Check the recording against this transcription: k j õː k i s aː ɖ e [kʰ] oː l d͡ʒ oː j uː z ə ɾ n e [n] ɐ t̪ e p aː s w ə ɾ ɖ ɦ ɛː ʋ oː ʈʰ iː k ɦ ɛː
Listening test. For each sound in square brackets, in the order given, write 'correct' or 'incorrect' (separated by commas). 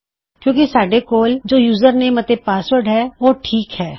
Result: incorrect, incorrect